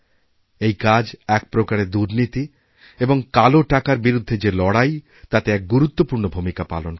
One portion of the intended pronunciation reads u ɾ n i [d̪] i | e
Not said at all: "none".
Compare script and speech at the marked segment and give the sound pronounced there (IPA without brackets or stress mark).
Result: t̪